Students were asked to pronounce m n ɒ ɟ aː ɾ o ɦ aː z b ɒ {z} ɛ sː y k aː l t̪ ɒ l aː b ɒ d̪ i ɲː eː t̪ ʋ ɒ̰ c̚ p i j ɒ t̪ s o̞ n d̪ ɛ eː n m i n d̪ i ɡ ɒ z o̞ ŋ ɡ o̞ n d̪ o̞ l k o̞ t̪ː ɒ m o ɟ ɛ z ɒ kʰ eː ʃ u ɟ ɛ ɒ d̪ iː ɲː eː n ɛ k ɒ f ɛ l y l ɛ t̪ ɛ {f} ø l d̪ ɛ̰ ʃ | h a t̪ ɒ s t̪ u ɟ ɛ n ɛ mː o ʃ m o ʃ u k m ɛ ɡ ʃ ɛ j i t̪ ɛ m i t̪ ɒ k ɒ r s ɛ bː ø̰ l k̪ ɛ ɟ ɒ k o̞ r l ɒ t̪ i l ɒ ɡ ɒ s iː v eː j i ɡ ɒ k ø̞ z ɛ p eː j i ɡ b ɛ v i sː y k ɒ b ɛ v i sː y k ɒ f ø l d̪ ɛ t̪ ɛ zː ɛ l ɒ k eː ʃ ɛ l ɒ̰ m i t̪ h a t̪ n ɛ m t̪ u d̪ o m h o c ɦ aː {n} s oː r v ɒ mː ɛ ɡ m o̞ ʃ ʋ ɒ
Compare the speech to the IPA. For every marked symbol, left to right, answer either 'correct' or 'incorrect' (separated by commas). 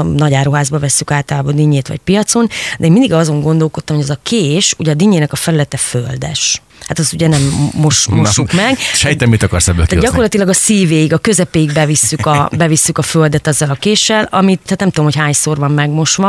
incorrect, correct, incorrect